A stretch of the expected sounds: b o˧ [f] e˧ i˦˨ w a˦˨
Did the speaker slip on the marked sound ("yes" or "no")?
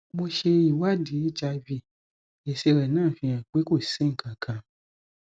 yes